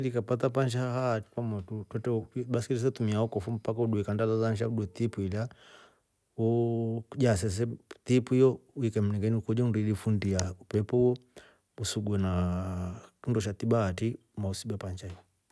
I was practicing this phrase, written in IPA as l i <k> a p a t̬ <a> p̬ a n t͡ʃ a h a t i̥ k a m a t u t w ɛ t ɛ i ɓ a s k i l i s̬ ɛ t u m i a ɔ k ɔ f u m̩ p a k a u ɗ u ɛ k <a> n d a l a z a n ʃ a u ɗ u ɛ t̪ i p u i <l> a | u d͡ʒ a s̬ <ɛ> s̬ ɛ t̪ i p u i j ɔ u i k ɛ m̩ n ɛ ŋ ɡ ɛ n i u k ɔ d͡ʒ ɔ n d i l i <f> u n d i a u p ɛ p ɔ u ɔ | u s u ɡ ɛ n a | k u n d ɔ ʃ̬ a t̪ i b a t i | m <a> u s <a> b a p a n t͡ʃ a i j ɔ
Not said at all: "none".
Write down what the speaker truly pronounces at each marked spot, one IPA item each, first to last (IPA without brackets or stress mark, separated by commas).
k, a, a, l, ɛ, f, a, i